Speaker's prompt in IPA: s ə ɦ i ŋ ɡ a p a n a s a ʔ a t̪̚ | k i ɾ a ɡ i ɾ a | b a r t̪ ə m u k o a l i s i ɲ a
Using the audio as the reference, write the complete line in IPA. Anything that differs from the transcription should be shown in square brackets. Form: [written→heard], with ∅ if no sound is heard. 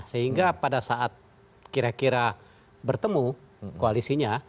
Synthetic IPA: s ə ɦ i ŋ ɡ a p a [n→d] a s a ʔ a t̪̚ | k i ɾ a [ɡ→k] i ɾ a | b [a→ə] r t̪ ə m u k o a l i s i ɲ a